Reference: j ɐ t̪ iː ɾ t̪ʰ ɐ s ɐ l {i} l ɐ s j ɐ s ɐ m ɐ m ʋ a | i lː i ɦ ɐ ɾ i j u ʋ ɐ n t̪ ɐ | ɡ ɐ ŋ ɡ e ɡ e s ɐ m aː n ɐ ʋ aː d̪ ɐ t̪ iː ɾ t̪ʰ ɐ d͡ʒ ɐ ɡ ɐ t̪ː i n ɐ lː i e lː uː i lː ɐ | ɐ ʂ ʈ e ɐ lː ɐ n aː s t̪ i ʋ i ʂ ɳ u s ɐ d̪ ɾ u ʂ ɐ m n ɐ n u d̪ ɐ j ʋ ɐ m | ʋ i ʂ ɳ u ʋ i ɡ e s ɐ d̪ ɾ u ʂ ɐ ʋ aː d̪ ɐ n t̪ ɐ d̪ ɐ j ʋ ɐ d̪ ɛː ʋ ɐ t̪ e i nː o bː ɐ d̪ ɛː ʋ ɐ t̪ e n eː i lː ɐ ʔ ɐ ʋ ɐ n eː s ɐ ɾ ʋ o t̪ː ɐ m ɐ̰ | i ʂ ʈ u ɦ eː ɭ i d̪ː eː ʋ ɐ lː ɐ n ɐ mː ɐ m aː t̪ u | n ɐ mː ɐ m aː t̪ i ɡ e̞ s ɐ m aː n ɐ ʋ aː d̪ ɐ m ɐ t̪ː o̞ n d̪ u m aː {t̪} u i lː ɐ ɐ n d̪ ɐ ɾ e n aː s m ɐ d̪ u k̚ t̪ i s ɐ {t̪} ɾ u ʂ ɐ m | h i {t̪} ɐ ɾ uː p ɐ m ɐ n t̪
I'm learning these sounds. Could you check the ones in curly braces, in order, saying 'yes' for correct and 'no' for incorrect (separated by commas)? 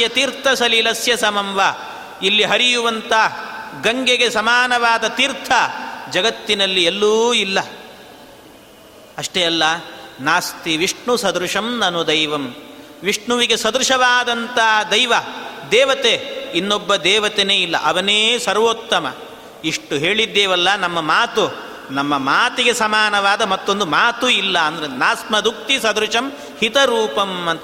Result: yes, yes, no, yes